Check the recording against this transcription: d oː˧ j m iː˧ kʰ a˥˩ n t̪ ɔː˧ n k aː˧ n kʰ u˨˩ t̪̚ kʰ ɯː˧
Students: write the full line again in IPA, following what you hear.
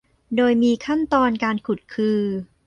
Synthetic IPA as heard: d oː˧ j m iː˧ kʰ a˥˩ n t̪ ɔː˧ n k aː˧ n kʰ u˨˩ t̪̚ kʰ ɯː˧